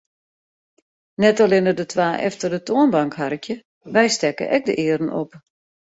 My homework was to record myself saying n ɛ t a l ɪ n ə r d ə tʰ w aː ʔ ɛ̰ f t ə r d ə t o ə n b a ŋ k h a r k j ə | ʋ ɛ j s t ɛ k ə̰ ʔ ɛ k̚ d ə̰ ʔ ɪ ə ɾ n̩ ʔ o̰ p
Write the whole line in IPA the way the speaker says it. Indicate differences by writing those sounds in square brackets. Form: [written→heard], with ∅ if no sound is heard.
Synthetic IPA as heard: n ɛ t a l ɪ n ə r d ə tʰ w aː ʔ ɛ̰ f t ə r d ə t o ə n b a ŋ k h a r k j ə | ʋ ɛ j s t ɛ k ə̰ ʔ ɛ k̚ d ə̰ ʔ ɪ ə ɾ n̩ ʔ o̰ p